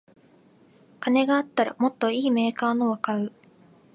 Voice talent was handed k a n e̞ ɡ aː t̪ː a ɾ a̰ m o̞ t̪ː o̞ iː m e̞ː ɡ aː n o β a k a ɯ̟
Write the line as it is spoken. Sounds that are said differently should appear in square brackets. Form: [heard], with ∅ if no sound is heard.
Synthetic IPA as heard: k a n e̞ ɡ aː t̪ː a ɾ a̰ m o̞ t̪ː o̞ iː m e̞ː [k] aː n o β a k a ɯ̟